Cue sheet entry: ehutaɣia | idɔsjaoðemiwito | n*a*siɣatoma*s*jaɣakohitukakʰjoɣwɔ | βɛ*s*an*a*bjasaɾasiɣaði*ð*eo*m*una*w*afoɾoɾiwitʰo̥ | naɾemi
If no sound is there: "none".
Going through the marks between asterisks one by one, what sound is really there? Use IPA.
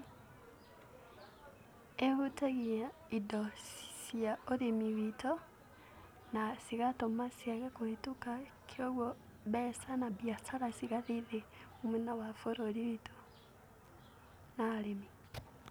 a, s, s, a, ð, m, w

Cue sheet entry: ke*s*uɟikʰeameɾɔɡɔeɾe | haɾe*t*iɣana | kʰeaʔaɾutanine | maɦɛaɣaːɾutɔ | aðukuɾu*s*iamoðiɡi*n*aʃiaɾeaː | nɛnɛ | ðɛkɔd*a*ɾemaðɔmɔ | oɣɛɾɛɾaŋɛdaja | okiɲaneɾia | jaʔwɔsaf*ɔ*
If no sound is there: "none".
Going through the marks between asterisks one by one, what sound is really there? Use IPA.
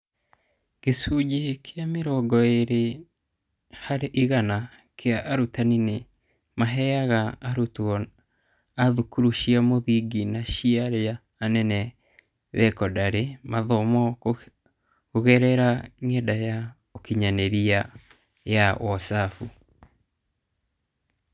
s, ʔ, ʃ, n, a, u

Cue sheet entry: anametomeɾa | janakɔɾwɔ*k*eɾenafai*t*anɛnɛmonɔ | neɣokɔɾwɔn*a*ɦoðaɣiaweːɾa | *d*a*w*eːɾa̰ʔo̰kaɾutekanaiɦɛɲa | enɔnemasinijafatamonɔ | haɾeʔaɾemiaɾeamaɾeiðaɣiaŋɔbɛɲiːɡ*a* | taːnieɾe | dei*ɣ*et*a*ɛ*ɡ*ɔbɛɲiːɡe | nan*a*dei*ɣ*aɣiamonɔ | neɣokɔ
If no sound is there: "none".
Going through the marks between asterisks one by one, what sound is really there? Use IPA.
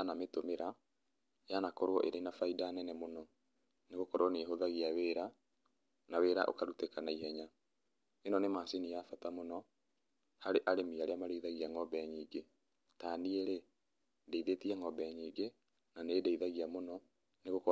ʔ, d, e, n, w, e, ð, i, ŋ, e, ð

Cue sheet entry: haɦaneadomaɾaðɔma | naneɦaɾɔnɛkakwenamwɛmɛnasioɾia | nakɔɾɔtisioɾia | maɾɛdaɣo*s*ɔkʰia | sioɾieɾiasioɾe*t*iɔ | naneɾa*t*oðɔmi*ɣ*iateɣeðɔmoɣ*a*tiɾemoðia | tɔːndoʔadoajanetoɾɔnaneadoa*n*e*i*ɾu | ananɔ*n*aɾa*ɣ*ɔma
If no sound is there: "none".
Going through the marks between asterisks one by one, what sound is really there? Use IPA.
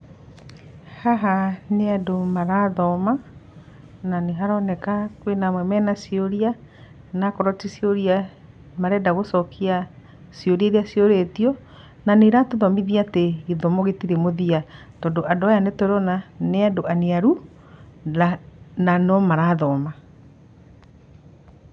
s, t, t, ð, e, n, a, m, ð

